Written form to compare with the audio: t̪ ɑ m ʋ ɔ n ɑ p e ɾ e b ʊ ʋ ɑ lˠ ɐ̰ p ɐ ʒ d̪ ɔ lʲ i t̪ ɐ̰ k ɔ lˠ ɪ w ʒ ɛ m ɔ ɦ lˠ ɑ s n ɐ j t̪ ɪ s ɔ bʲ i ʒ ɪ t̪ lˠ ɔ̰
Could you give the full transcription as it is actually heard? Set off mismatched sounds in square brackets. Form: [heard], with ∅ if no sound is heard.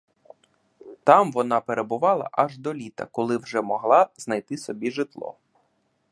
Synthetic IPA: t̪ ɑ m ʋ ɔ n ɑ p e ɾ e b ʊ ʋ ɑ lˠ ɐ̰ [ʔ] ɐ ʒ d̪ ɔ lʲ i t̪ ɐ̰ k ɔ lˠ ɪ w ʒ ɛ m ɔ ɦ lˠ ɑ [z] n ɐ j t̪ ɪ s ɔ bʲ i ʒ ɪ t̪ lˠ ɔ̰